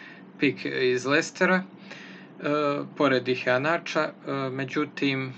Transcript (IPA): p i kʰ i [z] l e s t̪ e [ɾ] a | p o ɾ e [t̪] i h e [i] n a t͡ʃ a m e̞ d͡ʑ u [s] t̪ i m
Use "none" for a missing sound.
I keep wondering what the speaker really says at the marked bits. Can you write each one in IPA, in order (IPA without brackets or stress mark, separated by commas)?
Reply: z, ɾ, d̪, a, none